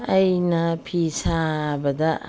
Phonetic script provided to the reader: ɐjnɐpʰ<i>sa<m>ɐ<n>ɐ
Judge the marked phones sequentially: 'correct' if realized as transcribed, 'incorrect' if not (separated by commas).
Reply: correct, incorrect, incorrect